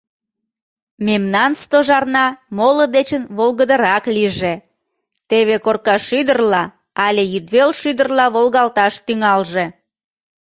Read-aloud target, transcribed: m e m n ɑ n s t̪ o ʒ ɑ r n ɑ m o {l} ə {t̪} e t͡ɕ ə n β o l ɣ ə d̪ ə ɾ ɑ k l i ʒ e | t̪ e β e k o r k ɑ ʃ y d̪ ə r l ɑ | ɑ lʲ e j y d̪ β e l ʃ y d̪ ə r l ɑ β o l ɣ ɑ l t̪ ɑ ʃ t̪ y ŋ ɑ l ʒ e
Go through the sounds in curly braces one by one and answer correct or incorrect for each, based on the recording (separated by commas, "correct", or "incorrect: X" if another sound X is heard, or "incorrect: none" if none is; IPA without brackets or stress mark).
correct, incorrect: d̪